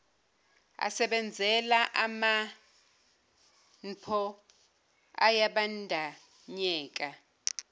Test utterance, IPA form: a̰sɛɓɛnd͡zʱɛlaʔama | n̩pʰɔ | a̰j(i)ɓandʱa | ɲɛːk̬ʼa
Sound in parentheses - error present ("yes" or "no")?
yes